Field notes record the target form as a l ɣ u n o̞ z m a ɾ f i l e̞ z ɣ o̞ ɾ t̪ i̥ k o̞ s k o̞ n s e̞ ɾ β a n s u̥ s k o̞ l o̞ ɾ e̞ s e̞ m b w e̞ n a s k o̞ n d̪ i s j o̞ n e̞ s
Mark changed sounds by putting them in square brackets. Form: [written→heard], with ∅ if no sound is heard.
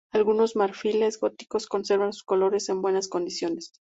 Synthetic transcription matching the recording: a l ɣ u n o̞ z m a ɾ f i l e̞ z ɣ o̞ [ɾ→∅] t̪ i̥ k o̞ s k o̞ n s e̞ ɾ β a n s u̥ s k o̞ l o̞ ɾ e̞ s e̞ m b w e̞ n a s k o̞ n d̪ i s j o̞ n e̞ s